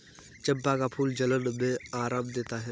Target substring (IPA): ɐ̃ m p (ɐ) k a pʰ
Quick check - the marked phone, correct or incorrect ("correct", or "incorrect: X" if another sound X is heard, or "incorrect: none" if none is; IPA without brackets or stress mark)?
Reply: incorrect: a